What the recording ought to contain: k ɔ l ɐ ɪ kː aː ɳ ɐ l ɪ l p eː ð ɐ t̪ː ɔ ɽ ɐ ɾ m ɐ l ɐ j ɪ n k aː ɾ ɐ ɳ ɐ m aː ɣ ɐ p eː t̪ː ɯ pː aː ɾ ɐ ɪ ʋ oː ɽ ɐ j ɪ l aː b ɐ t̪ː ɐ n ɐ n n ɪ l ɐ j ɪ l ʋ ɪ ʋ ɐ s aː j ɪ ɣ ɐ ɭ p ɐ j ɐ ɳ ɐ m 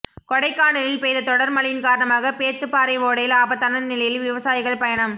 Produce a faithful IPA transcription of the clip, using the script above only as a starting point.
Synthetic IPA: k ɔ ɽ ɐ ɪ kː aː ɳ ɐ l ɪ l p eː ð ɐ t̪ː ɔ ɽ ɐ ɾ m ɐ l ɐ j ɪ n k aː ɾ ɐ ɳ ɐ m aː ɣ ɐ p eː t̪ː ɯ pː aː ɾ ɐ ɪ ʋ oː ɽ ɐ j ɪ l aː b ɐ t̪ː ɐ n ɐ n n ɪ l ɐ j ɪ l ʋ ɪ ʋ ɐ s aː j ɪ ɣ ɐ ɭ p ɐ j ɐ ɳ ɐ m